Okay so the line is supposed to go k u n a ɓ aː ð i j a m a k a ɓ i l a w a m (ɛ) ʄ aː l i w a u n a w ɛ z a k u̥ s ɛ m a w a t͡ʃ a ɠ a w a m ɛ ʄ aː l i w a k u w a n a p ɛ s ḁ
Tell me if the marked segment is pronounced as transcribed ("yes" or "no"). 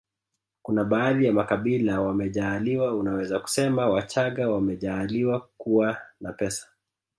yes